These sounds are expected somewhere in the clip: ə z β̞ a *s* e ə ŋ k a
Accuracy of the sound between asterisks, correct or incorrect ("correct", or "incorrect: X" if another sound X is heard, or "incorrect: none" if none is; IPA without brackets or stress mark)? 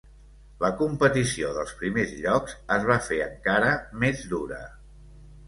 incorrect: f